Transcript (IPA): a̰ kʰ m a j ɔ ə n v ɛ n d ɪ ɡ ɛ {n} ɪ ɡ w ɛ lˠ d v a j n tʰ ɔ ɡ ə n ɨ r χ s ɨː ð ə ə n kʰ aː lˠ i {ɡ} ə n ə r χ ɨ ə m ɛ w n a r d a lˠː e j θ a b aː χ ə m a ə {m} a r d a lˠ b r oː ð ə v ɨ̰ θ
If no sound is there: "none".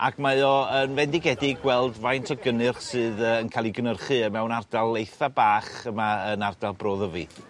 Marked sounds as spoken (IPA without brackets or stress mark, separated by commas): d, ɡ, n